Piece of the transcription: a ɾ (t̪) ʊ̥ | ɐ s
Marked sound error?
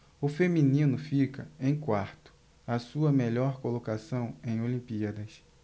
no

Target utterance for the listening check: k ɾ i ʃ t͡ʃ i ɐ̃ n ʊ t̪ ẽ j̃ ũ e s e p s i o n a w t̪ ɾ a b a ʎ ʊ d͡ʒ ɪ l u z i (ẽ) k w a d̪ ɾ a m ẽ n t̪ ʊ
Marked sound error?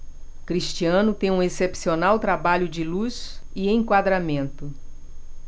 no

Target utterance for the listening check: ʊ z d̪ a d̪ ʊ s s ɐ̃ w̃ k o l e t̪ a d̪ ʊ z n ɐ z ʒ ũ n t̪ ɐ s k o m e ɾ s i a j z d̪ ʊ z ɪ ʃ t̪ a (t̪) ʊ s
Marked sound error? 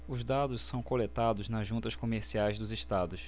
yes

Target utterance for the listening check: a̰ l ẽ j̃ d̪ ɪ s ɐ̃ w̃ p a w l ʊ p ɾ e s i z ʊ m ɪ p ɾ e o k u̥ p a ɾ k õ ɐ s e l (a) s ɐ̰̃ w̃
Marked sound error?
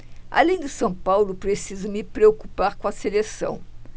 yes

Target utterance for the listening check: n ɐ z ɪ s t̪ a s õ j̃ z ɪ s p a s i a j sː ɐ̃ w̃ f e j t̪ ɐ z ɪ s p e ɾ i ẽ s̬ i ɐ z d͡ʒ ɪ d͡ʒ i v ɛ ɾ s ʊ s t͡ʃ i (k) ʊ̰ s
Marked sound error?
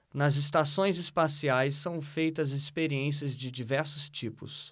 yes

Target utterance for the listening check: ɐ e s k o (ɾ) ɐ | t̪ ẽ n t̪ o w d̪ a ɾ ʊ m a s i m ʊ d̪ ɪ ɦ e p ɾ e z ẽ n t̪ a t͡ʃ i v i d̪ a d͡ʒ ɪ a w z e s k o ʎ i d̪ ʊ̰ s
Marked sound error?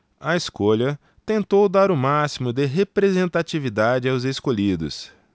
yes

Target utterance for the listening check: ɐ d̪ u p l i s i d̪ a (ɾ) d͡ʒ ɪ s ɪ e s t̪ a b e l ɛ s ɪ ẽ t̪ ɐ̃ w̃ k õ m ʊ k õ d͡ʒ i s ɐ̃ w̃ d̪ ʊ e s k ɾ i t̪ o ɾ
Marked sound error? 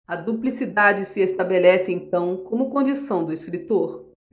yes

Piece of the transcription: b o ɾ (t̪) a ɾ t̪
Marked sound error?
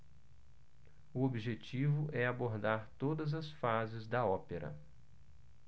yes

